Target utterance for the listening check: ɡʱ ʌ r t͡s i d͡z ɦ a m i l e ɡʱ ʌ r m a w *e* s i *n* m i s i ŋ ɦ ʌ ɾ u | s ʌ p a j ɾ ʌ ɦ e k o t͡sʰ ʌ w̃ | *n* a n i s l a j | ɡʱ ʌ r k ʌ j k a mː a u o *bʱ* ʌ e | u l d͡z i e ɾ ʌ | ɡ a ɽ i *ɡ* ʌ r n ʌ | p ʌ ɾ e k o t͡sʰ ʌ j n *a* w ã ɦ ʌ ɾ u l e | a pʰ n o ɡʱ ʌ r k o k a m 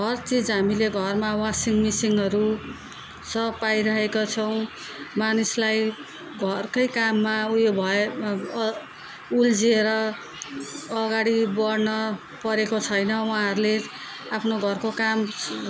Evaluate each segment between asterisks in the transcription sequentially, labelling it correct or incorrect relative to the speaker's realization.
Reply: incorrect: a, incorrect: ŋ, incorrect: m, correct, incorrect: b, incorrect: ʌ

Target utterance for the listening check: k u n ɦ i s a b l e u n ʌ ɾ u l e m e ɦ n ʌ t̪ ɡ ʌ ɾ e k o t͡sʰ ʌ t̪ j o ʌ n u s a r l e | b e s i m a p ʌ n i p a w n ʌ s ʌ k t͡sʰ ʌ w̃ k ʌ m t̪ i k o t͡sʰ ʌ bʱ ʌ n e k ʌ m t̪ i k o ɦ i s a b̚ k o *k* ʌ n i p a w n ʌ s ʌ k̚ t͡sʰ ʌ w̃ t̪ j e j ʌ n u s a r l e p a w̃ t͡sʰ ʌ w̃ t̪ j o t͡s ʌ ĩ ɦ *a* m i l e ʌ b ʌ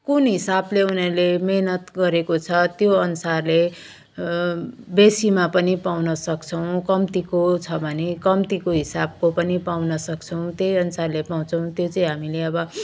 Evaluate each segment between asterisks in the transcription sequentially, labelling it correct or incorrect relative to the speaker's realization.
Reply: incorrect: p, correct

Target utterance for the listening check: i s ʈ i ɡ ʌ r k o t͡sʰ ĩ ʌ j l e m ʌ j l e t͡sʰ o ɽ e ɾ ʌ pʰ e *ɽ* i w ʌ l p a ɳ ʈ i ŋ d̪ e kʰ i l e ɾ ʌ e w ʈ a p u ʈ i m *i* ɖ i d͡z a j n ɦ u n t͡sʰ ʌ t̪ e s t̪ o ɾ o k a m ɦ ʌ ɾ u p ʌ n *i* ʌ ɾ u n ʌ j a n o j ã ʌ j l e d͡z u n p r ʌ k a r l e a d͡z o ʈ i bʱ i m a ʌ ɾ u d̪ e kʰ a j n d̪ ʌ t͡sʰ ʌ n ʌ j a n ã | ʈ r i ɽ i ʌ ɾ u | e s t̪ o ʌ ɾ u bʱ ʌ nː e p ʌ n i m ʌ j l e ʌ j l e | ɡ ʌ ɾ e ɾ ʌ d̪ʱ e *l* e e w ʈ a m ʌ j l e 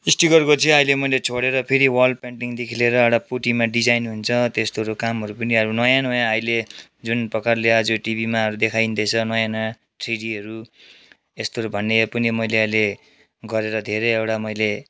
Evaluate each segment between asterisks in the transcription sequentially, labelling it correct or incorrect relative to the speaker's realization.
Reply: incorrect: ɾ, incorrect: a, correct, incorrect: ɾ

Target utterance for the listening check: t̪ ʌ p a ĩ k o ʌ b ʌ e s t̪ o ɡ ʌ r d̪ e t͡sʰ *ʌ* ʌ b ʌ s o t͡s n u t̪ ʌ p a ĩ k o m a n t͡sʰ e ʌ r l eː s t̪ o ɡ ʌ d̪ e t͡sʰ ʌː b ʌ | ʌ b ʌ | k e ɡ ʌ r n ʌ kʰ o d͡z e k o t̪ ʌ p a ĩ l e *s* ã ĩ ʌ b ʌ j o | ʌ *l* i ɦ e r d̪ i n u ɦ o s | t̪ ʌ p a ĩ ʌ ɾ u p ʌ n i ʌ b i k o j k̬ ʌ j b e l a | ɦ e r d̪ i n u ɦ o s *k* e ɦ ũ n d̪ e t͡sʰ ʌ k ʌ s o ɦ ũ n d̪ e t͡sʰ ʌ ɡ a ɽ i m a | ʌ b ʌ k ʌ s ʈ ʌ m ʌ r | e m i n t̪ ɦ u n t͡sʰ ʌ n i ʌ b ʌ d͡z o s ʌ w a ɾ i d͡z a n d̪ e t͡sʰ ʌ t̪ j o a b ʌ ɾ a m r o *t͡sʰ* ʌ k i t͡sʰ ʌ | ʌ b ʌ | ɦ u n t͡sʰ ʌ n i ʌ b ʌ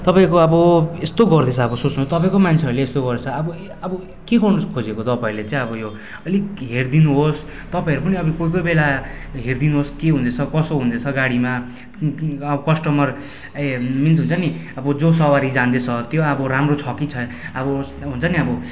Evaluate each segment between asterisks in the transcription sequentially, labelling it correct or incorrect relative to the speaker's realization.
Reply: correct, incorrect: t͡s, correct, correct, correct

